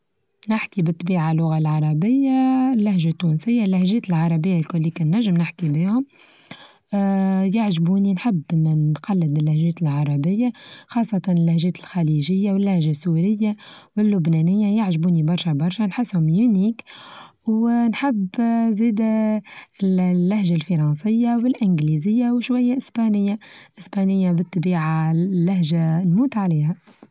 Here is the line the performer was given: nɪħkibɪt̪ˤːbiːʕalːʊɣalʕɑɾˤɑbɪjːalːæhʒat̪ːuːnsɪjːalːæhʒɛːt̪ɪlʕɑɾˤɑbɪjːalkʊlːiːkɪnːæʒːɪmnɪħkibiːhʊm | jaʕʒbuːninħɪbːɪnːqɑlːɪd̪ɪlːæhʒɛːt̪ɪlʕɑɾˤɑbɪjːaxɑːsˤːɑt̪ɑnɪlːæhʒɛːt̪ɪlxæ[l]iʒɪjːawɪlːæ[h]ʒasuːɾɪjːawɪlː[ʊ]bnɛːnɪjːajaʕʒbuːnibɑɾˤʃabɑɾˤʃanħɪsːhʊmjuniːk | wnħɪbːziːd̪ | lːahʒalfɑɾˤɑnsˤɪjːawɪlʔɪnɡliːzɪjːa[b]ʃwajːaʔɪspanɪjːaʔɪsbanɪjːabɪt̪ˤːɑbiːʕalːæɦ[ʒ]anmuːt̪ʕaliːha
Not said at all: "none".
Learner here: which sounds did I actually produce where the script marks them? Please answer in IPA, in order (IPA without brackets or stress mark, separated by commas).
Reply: l, h, ʊ, w, ʒ